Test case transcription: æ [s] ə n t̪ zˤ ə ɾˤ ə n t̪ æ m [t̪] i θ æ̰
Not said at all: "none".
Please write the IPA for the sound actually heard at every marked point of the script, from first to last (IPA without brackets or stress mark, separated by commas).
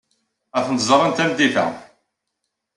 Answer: θ, d̪